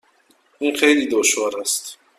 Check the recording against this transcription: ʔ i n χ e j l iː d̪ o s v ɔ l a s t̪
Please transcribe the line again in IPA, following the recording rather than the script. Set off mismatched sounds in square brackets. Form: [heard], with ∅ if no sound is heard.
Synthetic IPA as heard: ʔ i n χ e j l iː d̪ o [ʃ] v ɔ [ɾ] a s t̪